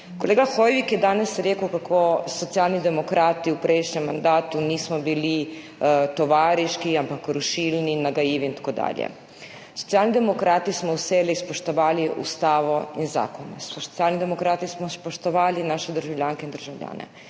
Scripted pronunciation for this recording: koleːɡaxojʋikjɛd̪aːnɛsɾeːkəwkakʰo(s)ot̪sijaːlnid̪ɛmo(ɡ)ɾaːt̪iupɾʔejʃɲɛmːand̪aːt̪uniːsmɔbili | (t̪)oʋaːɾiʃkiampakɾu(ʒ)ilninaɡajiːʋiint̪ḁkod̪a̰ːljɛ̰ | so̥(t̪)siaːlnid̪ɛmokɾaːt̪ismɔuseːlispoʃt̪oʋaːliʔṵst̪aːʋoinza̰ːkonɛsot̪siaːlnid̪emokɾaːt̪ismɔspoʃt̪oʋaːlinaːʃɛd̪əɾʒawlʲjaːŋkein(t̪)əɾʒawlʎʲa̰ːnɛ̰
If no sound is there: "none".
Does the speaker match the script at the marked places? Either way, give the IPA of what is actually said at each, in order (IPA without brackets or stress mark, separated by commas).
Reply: s, k, t̪, ʃ, t̪, d̪